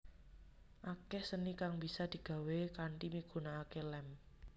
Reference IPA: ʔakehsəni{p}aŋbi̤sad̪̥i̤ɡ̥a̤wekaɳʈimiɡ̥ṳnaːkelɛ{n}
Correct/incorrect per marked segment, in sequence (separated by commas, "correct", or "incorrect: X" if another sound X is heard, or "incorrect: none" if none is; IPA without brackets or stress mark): incorrect: k, incorrect: m